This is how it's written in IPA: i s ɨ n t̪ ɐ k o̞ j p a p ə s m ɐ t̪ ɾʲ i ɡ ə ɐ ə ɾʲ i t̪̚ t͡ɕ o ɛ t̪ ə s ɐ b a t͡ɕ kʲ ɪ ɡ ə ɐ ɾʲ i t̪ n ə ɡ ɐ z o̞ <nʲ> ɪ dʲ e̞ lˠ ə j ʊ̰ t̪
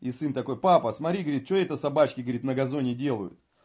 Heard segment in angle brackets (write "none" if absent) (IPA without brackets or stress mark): nʲ